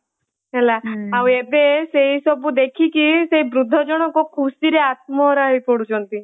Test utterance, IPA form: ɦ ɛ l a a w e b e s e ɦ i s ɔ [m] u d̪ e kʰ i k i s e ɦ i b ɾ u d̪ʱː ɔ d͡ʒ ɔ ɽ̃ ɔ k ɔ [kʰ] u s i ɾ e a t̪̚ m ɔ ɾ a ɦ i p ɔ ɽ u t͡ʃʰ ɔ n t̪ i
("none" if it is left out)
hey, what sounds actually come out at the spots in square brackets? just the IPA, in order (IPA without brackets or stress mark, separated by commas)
b, kʰ